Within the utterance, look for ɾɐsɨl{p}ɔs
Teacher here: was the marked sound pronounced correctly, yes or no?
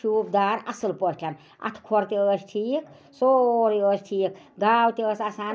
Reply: yes